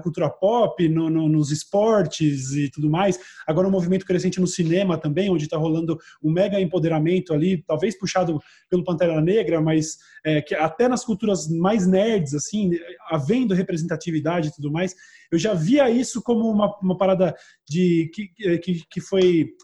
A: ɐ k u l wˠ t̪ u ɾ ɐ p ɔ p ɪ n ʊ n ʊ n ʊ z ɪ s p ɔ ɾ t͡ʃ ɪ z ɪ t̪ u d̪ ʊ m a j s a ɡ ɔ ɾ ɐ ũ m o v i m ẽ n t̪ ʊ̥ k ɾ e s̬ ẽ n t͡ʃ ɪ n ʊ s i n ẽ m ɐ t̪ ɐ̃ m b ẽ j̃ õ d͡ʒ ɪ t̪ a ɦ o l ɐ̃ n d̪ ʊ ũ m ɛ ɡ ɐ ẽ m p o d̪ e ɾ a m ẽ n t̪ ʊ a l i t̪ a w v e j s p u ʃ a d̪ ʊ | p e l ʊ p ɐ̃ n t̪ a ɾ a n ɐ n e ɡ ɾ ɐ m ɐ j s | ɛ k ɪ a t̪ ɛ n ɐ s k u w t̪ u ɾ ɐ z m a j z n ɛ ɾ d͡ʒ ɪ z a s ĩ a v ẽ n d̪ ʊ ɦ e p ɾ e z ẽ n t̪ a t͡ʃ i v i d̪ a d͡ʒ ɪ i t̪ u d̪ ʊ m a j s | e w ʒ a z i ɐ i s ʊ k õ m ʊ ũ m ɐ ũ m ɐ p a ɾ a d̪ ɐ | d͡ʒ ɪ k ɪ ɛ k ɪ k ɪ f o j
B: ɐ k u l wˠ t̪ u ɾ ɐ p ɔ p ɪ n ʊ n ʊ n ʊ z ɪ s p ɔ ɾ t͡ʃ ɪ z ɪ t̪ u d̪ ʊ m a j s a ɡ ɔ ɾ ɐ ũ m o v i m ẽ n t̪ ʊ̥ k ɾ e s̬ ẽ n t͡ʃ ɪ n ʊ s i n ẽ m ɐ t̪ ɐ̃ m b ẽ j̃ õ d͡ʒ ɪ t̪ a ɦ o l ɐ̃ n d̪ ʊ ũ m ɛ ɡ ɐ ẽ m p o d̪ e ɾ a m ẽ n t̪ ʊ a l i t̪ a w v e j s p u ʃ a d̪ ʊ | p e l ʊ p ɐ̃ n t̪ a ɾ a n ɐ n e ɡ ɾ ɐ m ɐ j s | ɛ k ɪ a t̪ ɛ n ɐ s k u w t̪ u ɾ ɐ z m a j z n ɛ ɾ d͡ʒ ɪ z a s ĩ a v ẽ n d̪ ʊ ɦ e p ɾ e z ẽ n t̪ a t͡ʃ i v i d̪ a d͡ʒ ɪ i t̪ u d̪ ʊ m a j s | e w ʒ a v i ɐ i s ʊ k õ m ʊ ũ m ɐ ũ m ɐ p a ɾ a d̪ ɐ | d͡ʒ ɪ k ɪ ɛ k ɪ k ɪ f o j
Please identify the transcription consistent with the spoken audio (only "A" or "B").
B